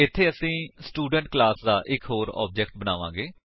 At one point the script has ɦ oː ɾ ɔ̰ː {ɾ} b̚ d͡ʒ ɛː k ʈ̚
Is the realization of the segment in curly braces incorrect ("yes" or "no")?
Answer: yes